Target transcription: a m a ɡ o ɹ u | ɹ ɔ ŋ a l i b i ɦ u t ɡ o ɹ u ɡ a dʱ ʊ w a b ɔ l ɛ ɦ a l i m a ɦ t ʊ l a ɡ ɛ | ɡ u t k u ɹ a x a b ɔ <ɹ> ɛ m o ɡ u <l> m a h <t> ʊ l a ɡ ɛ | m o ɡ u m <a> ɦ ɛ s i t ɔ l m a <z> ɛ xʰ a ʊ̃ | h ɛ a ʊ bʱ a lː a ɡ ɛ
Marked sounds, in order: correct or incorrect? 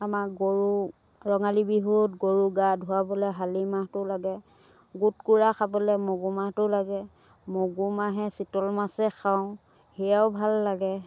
incorrect, incorrect, correct, correct, incorrect

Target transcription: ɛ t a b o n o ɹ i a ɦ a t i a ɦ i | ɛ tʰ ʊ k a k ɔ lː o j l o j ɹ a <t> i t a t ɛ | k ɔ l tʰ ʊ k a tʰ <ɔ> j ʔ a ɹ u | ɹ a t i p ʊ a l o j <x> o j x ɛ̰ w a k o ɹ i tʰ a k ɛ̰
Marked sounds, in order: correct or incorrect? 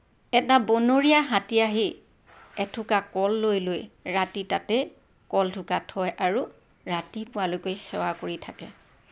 correct, correct, incorrect

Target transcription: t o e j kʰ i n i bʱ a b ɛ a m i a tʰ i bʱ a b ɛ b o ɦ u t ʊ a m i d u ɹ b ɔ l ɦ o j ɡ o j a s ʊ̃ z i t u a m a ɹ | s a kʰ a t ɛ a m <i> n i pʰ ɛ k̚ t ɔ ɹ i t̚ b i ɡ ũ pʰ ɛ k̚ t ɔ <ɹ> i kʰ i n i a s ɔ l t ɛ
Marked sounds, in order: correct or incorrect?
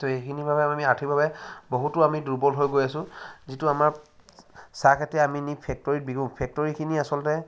correct, correct

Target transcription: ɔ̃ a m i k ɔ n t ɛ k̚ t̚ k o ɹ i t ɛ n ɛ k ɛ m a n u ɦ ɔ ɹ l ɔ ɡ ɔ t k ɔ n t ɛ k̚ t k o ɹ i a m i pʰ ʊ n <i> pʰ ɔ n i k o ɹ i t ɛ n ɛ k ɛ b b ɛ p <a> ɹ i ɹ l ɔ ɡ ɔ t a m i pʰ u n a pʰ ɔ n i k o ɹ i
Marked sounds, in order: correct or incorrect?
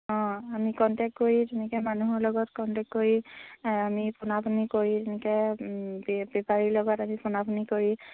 incorrect, correct

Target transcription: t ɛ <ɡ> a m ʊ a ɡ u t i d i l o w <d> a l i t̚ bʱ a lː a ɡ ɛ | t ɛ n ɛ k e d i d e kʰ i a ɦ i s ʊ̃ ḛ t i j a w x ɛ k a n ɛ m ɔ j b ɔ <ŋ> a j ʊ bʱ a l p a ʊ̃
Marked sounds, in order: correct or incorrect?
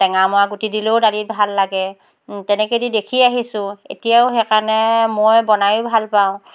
incorrect, correct, incorrect

